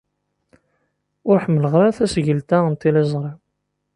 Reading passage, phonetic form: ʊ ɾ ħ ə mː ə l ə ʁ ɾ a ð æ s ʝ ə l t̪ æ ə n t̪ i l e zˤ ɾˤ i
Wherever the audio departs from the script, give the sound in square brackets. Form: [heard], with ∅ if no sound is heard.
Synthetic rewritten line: ʊ ɾ ħ ə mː ə l ə ʁ ɾ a [θ] æ s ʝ ə l t̪ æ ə n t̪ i l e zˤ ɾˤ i